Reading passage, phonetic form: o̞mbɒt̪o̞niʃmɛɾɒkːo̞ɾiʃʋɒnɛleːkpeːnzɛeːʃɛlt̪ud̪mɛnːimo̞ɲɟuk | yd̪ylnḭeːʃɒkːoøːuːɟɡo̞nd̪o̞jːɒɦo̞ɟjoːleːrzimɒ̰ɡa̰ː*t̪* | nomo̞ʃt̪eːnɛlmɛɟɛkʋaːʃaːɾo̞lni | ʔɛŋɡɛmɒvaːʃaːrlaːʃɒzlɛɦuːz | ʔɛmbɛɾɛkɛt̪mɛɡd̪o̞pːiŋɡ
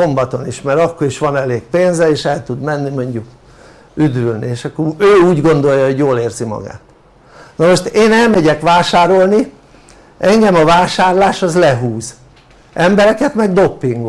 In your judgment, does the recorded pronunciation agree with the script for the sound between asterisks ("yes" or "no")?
yes